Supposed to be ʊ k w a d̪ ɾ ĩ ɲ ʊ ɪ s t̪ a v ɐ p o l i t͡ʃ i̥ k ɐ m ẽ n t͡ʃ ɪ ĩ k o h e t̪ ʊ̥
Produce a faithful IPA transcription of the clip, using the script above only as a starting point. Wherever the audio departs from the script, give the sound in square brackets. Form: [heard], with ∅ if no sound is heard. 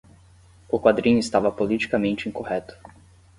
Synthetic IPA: ʊ k w a d̪ ɾ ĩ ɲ ʊ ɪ s t̪ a v ɐ p o l i t͡ʃ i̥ k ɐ m ẽ n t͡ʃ ɪ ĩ k o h [ɛ] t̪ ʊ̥